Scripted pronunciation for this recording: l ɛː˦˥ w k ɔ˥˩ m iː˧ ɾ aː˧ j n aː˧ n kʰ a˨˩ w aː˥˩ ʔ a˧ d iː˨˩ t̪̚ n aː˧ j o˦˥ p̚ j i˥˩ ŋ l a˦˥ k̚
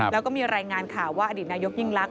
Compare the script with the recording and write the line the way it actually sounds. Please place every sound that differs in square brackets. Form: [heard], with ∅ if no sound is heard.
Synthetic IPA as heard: l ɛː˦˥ w k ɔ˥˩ m iː˧ ɾ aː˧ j [ŋ] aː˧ n kʰ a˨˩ w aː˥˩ ʔ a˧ d iː˨˩ t̪̚ n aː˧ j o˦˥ [k̚] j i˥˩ ŋ l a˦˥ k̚